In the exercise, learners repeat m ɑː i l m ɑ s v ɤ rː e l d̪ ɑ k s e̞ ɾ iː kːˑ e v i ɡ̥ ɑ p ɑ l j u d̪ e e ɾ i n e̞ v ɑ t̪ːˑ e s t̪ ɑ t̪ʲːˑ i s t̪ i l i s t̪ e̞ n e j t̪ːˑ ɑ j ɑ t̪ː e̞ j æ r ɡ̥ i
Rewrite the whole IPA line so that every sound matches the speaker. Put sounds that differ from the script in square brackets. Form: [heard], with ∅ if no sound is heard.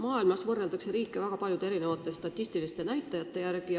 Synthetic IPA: m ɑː i l m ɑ s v ɤ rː e l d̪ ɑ k s e̞ ɾ iː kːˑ e v [æ] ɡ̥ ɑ p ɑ l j u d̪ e e ɾ i n e̞ v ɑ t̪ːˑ e s t̪ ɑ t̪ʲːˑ i s t̪ i l i s t̪ e̞ n [æ] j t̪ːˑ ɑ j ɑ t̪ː e̞ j æ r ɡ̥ i